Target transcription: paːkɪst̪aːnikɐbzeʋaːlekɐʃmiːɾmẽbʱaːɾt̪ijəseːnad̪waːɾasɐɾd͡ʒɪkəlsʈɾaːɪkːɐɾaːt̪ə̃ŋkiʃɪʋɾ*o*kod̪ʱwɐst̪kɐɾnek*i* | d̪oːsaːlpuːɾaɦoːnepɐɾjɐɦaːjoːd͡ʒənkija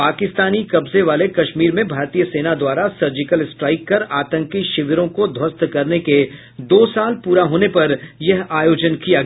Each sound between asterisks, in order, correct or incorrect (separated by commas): incorrect, incorrect